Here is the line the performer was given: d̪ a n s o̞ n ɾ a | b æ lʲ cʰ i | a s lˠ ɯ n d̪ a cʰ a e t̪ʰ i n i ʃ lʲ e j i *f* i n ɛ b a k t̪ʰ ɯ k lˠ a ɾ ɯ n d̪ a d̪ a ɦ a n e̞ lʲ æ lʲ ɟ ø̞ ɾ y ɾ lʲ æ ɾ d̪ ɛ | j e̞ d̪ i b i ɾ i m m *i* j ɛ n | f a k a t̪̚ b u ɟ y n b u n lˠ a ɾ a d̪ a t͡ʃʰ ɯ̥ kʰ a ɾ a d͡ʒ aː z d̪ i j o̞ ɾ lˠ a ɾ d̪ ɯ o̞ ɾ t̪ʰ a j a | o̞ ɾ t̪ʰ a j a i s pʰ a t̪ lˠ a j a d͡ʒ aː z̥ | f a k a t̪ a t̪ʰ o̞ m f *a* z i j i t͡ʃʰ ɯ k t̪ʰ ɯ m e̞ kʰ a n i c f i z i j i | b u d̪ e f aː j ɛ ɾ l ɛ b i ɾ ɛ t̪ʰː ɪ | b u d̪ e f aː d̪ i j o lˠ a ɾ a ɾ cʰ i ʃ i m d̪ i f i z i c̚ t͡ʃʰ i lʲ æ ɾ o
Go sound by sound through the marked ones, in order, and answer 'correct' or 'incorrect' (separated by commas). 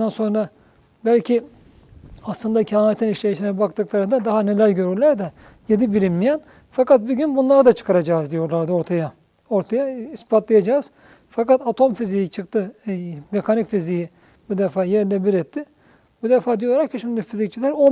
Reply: incorrect, correct, incorrect